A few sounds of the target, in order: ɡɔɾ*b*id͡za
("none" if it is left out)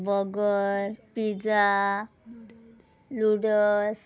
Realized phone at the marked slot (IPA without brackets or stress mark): p